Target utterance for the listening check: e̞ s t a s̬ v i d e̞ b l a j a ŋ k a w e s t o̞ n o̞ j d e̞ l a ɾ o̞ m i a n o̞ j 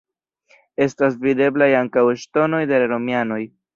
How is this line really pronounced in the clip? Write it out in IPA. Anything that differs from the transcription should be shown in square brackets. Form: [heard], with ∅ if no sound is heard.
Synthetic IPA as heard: e̞ s t a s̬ v i d e̞ b l a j a ŋ k a w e [ʃ] t o̞ n o̞ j d e̞ l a ɾ o̞ m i a n o̞ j

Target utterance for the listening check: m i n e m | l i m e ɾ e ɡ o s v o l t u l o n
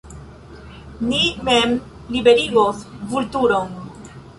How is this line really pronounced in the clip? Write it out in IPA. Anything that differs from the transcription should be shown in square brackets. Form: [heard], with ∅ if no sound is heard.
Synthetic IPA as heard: [n] i [m] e m | l i [b] e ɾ [i] ɡ o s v [u] l t u [ɾ] o n

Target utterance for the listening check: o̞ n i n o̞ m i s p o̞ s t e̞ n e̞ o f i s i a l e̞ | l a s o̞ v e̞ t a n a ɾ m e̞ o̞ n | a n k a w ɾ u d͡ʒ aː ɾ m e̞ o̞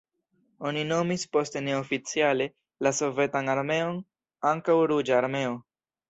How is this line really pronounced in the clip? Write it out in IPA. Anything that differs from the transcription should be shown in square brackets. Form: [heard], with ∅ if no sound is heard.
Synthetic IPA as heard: o̞ n i n o̞ m i s p o̞ s t e̞ n e̞ o f i [t͡s] i a l e̞ | l a s o̞ v e̞ t a n a ɾ m e̞ o̞ n | a [ŋ] k a w ɾ u d͡ʒ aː ɾ m e̞ o̞

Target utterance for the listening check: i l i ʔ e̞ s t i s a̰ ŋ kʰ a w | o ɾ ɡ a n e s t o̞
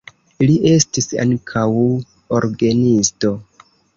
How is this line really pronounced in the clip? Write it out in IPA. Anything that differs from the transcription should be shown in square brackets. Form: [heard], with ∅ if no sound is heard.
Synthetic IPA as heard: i l i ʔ e̞ s t i s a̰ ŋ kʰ a w | o ɾ ɡ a n [i] s t o̞

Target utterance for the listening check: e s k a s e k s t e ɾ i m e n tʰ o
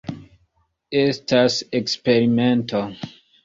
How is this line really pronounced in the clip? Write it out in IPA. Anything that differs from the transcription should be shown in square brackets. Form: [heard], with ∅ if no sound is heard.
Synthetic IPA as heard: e s [t] a s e k s [p] e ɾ i m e n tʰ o

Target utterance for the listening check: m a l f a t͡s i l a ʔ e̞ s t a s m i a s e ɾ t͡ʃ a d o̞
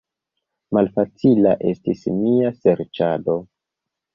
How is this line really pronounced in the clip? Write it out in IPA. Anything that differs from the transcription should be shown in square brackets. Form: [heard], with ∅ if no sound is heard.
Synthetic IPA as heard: m a l f a t͡s i l a ʔ e̞ s t [i] s m i a s e ɾ t͡ʃ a d o̞

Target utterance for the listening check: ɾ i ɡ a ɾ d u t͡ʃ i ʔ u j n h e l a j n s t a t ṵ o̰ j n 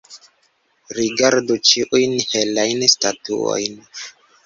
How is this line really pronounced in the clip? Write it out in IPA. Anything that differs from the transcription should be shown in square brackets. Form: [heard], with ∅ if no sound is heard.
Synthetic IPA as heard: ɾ i ɡ a ɾ d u t͡ʃ i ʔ u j n h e l a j n s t a t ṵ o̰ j n

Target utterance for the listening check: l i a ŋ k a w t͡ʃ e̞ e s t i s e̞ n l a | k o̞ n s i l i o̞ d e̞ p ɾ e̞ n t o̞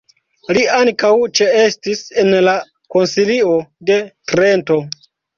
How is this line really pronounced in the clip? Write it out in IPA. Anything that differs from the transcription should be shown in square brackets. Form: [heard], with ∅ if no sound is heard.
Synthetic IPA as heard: l i a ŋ k a w t͡ʃ e̞ e s t i s e̞ n l a | k o̞ n s i l i o̞ d e̞ [t] ɾ e̞ n t o̞

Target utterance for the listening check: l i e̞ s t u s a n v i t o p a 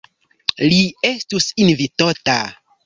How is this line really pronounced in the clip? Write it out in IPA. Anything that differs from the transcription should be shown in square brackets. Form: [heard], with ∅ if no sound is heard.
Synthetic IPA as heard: l i e̞ s t u s [i] n v i t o [t] a

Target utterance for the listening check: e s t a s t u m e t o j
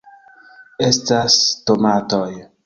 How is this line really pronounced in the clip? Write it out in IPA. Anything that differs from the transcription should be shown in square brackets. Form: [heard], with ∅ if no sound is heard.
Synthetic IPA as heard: e s t a s t [o] m [a] t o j

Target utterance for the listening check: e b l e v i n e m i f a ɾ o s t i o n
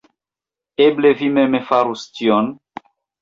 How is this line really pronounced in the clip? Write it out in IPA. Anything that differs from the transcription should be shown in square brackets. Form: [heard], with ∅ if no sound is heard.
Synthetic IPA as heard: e b l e v i [m] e m [e] f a ɾ [u] s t i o n

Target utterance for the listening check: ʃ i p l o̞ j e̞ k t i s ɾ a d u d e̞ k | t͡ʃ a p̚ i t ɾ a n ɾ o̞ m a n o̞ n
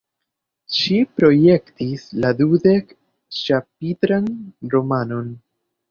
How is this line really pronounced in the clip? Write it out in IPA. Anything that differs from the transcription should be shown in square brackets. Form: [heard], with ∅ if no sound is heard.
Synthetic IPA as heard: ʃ i p [ɾ] o̞ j e̞ k t i s [l] a d u d e̞ k | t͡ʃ a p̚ i t ɾ a n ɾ o̞ m a n o̞ n

